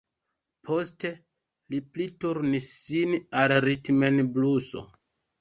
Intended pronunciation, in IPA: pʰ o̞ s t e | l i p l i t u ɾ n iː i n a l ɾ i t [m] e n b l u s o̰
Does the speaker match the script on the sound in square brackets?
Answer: yes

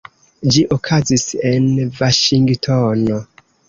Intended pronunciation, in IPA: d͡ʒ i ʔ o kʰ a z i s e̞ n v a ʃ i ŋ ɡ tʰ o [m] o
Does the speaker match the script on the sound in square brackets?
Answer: no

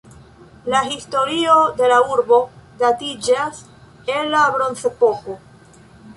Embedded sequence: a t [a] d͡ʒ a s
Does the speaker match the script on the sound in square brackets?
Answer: no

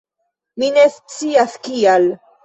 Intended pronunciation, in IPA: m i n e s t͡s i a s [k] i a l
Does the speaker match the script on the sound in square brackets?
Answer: yes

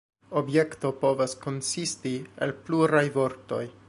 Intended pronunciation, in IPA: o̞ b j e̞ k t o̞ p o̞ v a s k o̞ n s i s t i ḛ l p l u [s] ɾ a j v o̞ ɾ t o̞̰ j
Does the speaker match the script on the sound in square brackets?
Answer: no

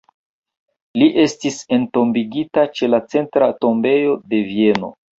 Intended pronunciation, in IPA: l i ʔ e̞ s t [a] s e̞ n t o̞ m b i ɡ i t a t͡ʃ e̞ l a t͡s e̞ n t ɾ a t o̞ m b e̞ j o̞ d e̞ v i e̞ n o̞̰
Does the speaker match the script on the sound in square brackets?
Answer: no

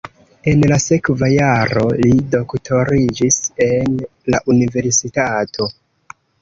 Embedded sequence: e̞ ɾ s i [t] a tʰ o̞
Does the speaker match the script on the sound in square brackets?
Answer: yes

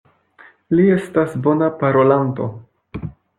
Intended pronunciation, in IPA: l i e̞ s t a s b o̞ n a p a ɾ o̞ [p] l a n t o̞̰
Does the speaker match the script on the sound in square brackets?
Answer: no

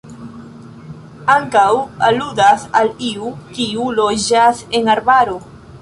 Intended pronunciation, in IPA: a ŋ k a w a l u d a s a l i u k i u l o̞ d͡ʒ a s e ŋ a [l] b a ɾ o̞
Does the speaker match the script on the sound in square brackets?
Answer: no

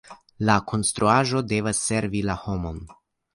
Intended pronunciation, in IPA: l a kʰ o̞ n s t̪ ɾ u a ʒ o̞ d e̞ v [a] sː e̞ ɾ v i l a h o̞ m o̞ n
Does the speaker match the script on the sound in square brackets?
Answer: yes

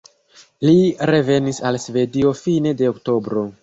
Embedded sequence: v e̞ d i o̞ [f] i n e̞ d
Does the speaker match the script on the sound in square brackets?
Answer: yes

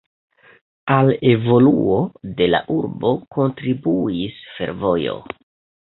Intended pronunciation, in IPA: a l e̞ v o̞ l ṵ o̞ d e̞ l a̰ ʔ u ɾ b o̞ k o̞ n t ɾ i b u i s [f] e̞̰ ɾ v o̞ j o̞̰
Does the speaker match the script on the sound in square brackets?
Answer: yes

